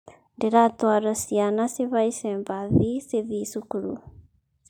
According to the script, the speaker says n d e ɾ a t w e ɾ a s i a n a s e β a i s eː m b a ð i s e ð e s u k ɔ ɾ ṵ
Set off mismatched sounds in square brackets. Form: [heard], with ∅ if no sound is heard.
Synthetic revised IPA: n d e ɾ a t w [a] ɾ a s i a n a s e β a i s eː m b a ð i s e ð [i] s u k [u] ɾ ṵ